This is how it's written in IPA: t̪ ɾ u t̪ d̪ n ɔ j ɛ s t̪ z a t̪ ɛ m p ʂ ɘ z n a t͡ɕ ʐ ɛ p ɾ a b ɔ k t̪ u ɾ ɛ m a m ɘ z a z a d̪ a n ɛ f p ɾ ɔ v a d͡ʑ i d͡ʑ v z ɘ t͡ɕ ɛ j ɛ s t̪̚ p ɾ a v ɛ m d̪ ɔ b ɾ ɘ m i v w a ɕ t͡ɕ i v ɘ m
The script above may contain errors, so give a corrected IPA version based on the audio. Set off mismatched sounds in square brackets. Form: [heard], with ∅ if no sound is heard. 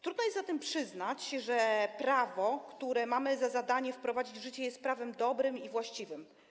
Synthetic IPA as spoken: t̪ ɾ u [∅] d̪ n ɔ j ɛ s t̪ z a t̪ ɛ m p ʂ ɘ z n a t͡ɕ ʐ ɛ p ɾ a [v] ɔ k t̪ u ɾ ɛ m a m ɘ z a z a d̪ a [ɲ] ɛ f p ɾ ɔ v a d͡ʑ i d͡ʑ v [ʐ] ɘ t͡ɕ ɛ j ɛ s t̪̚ p ɾ a v ɛ m d̪ ɔ b ɾ ɘ m i v w a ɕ t͡ɕ i v ɘ m